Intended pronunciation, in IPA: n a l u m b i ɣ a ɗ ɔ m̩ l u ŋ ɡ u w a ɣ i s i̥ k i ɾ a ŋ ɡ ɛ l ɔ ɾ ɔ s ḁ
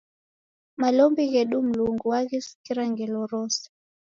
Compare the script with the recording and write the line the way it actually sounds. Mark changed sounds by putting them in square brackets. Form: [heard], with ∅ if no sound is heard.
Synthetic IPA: [m] a l [ɔ] m b i ɣ [ɛ] ɗ [u] m̩ l u ŋ ɡ u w a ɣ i s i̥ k i ɾ a ŋ ɡ ɛ l ɔ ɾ ɔ s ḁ